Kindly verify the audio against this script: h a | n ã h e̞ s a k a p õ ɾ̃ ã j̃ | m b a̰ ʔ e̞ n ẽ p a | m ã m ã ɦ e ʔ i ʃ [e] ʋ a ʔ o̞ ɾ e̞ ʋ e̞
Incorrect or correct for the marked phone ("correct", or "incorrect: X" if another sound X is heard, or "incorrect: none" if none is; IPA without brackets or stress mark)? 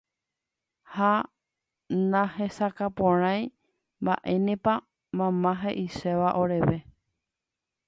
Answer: correct